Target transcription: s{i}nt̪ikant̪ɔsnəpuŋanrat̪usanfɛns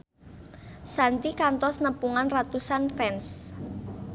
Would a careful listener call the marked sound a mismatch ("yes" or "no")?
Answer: yes